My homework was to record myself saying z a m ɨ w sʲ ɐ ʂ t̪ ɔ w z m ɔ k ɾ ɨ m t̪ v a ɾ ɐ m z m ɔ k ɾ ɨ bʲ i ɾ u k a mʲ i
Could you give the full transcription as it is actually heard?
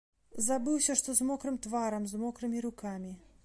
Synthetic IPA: z a b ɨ w sʲ ɐ ʂ t̪ ɔ z m ɔ k ɾ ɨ m t̪ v a ɾ ɐ m z m ɔ k ɾ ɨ mʲ i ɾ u k a mʲ i